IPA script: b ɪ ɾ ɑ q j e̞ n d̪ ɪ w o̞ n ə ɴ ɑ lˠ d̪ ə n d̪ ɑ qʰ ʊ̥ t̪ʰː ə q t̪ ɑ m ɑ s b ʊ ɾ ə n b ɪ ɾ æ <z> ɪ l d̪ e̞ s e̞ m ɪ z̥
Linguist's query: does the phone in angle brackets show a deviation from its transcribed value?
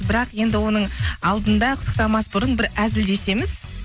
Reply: no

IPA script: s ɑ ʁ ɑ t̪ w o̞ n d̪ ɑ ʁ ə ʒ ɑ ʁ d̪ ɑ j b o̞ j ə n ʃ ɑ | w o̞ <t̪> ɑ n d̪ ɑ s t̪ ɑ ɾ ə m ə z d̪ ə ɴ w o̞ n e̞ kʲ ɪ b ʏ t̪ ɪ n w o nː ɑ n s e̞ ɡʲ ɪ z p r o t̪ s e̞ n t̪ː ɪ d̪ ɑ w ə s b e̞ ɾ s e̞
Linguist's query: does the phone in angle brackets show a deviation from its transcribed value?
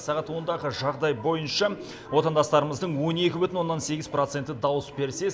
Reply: no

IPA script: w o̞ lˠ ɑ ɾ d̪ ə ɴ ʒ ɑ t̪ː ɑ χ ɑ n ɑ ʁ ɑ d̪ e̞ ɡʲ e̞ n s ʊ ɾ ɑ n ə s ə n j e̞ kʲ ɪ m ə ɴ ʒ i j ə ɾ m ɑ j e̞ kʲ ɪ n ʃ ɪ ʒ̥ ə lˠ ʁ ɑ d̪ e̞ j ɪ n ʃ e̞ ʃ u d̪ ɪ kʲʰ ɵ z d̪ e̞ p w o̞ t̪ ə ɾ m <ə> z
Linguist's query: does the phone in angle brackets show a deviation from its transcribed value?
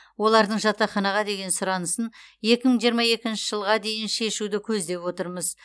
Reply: no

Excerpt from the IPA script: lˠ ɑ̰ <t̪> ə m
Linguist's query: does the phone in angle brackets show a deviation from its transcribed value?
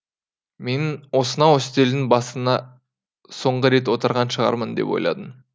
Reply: yes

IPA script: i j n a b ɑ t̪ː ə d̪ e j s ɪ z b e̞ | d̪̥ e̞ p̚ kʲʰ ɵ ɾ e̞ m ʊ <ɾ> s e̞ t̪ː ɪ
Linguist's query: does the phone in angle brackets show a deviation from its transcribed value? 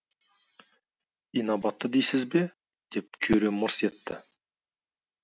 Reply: no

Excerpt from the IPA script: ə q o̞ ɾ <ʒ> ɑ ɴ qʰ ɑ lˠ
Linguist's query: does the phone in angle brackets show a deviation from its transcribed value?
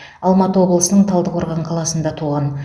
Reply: yes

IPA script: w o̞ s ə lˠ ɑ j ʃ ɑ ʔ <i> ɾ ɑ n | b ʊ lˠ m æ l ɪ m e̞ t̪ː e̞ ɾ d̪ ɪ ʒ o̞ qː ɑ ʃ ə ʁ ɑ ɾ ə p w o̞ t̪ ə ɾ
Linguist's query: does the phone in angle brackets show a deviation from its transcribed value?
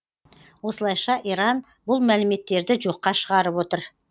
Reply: no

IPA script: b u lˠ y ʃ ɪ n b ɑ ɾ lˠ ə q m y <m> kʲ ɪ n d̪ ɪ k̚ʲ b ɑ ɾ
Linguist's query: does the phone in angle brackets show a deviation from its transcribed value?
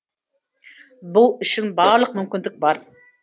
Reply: no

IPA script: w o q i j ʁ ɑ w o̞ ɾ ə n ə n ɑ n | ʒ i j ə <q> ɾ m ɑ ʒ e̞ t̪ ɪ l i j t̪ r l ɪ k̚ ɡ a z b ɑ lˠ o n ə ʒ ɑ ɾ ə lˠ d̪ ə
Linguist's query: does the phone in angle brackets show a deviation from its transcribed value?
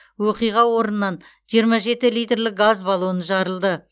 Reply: yes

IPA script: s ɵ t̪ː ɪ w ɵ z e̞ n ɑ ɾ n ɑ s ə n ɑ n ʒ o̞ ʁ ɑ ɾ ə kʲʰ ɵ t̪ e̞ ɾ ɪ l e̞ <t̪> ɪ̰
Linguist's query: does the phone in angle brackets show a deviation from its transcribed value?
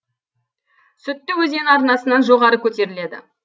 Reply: yes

